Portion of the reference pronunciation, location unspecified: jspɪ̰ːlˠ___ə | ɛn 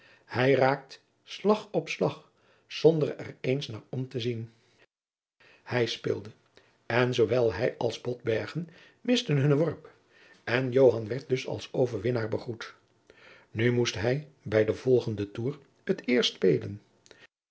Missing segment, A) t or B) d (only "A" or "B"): B